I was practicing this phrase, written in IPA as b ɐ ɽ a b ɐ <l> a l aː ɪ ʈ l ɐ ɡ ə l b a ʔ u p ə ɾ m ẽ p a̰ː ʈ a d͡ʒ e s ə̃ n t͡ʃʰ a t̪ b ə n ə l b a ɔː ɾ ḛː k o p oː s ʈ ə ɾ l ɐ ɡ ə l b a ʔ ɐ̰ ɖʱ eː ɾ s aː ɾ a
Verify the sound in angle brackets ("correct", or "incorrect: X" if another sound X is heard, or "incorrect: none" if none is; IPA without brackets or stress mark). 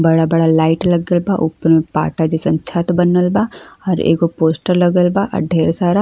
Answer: incorrect: ɽ